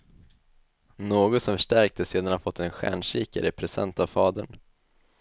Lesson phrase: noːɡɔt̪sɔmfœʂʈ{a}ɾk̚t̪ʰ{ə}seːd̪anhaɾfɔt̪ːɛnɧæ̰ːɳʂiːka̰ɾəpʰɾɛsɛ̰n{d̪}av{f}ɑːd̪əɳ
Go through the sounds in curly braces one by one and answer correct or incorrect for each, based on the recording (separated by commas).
incorrect, correct, incorrect, correct